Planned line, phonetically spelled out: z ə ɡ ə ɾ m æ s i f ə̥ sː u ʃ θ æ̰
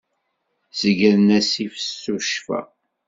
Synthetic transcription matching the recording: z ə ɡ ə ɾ n æ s i f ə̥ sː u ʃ f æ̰

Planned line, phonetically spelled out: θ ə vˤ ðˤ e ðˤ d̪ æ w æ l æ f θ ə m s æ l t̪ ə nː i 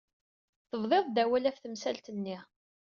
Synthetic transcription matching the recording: θ ə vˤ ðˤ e ðˤ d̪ æ w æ l æ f θ ə m s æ l t̪ ə nː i

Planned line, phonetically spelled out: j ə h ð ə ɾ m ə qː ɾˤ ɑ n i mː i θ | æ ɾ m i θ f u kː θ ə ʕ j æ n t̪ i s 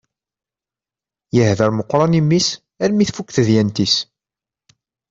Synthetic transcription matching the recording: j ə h ð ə ɾ m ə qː ɾˤ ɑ n i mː i s | æ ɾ m i θ f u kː θ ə ð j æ n t̪ i s

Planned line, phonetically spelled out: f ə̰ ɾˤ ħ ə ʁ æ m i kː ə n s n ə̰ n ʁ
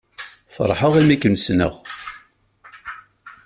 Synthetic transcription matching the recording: f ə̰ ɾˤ ħ ə ʁ i m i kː ə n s n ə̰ ʁ

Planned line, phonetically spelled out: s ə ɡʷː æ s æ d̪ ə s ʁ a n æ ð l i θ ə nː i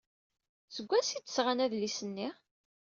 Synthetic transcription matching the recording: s ə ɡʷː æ s i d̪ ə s ʁ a n æ ð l i s ə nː i

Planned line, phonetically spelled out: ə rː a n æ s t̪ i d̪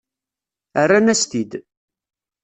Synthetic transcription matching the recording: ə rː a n æ s t̪ i d̪

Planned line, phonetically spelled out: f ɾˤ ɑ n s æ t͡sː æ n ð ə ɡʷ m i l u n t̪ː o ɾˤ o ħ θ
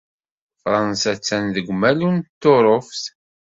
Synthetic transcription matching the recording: f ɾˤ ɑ n s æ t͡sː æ n ð ə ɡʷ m æ l u n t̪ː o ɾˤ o f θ

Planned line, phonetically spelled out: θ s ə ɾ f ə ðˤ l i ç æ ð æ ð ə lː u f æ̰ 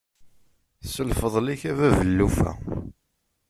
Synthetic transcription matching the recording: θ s ə l f ə ðˤ l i ç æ v æ v ə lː u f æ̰

